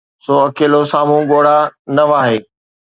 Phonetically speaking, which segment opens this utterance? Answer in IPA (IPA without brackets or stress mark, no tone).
s